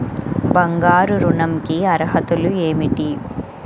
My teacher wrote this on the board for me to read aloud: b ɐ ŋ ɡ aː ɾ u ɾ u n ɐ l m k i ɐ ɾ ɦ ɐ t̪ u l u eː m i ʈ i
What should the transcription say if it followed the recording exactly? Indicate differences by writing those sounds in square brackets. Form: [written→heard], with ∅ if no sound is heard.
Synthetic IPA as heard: b ɐ ŋ ɡ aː ɾ u ɾ u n ɐ [l→∅] m k i ɐ ɾ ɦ ɐ t̪ u l u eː m i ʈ i